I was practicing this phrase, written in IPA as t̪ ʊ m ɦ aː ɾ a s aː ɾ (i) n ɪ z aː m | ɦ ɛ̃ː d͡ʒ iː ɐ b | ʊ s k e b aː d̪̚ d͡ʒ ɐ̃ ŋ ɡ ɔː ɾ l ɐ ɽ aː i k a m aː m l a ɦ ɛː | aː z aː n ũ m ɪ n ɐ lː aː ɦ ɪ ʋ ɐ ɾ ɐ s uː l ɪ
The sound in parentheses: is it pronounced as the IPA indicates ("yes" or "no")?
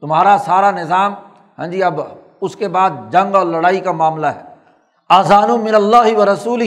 no